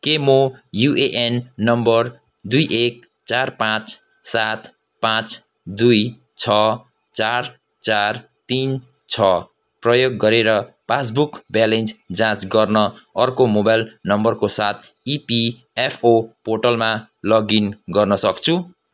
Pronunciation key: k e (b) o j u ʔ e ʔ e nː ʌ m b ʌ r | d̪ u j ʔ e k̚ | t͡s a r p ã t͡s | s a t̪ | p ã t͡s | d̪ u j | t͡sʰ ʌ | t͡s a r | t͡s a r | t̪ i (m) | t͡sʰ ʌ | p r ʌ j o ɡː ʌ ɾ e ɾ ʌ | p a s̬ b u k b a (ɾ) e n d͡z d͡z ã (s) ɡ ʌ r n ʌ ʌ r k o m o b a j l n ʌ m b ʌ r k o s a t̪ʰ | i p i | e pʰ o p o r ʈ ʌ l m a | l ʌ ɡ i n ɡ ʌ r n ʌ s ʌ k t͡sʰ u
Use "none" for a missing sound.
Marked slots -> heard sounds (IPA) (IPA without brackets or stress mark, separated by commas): m, n, l, t͡s